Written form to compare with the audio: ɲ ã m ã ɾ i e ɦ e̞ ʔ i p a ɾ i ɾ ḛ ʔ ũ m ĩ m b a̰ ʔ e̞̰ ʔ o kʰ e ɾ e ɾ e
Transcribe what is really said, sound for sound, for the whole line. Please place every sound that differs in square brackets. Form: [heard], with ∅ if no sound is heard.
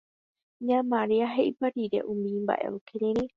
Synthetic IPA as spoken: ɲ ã m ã ɾ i [a] ɦ e̞ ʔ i p a ɾ i ɾ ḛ ʔ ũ m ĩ m b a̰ ʔ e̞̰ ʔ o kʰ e ɾ e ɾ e